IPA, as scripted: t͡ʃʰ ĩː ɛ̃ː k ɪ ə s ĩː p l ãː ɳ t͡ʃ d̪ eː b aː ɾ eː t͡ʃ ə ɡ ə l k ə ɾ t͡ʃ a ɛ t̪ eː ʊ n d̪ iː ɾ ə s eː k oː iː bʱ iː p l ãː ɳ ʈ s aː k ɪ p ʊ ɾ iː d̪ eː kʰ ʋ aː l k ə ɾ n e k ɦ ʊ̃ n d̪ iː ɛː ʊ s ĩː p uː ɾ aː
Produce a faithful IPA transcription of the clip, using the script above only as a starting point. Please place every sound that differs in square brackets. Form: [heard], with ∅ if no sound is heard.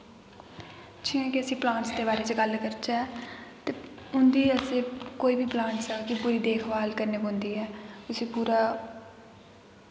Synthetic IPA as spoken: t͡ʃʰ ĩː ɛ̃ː k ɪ ə s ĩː p l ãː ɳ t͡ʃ d̪ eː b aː ɾ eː t͡ʃ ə ɡ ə l k ə ɾ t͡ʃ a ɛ t̪ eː ʊ n d̪ iː [∅] ə s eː k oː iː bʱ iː p l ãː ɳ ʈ s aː k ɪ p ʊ ɾ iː d̪ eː kʰ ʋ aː l k ə ɾ n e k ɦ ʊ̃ n d̪ iː ɛː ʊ s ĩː p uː ɾ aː